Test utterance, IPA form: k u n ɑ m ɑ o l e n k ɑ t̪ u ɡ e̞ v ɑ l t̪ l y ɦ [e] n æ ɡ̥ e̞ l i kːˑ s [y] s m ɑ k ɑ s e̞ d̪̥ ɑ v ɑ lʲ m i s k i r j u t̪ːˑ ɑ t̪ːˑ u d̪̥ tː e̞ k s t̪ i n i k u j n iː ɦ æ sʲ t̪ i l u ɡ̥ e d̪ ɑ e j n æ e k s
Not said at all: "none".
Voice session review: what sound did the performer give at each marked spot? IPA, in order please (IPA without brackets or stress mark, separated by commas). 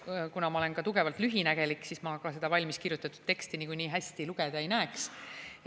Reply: i, i